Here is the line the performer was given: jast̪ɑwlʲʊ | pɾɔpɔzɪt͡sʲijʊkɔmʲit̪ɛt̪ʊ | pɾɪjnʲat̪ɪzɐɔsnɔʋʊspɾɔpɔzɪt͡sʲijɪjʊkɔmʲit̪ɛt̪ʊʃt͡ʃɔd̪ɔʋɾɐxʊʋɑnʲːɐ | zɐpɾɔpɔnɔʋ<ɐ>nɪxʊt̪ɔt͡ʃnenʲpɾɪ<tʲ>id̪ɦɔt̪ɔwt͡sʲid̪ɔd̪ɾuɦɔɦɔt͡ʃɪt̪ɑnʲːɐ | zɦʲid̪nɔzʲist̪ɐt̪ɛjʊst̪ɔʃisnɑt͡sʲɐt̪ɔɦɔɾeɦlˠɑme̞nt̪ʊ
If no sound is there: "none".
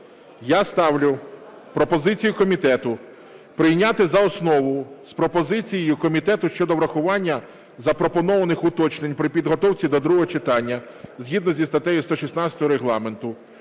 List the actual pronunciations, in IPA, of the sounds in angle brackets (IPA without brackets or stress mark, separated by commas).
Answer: ɐ, pʲ